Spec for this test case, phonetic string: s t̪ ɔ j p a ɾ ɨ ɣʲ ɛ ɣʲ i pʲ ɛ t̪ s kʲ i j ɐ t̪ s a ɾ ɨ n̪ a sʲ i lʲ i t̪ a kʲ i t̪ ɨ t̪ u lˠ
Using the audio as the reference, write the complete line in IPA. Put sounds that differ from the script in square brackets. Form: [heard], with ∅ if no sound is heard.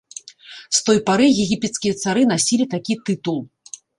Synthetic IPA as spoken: s t̪ ɔ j p a ɾ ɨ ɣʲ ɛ ɣʲ i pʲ ɛ t̪ s kʲ i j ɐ t̪ s a ɾ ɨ n̪ a sʲ i lʲ i t̪ a kʲ i t̪ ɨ t̪ u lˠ